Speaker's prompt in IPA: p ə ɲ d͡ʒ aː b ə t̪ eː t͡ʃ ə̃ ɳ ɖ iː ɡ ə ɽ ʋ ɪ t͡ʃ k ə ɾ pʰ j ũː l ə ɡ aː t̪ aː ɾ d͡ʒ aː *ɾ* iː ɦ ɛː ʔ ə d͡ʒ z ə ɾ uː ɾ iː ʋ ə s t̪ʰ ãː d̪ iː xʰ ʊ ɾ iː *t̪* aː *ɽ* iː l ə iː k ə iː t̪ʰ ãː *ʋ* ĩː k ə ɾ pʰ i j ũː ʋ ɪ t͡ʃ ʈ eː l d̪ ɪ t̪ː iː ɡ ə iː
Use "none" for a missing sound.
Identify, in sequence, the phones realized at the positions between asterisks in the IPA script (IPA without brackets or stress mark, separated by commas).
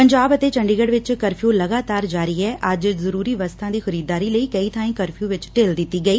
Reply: ɾ, d̪, ɾ, none